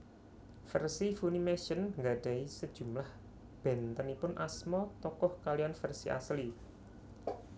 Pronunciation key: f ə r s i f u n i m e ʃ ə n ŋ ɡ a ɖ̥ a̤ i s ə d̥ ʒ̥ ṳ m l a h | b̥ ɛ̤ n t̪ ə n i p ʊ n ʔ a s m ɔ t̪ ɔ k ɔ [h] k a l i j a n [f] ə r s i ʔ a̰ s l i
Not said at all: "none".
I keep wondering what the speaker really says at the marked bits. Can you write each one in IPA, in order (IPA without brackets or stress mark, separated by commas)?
h, f